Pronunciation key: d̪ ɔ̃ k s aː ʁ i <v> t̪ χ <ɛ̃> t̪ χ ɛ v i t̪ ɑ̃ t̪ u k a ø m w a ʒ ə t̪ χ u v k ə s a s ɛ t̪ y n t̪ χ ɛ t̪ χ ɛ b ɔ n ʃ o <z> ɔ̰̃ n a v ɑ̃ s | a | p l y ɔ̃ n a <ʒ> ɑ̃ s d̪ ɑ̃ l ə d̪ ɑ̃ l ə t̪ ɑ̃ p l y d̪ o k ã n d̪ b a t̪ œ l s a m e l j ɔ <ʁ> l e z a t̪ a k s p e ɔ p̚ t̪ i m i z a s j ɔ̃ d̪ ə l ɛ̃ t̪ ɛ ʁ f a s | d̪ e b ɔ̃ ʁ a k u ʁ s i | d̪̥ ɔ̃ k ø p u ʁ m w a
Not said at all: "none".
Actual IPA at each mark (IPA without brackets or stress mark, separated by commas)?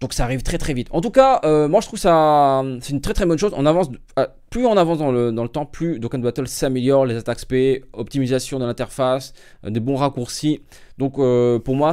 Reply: v, ɛ, z, v, ʁ